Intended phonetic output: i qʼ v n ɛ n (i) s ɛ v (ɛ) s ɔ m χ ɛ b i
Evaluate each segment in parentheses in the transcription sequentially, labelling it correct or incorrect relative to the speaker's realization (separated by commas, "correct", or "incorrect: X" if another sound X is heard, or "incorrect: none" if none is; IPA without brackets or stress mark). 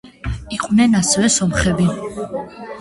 incorrect: a, correct